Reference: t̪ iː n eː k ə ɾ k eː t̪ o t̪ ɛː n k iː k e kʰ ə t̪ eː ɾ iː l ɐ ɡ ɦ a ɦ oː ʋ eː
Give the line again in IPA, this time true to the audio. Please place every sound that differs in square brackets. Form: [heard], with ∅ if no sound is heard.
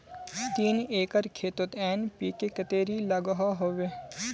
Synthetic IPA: t̪ iː n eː k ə ɾ [kʰ] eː t̪ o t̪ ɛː n [p] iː k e [k] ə t̪ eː ɾ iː l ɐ ɡ ɦ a ɦ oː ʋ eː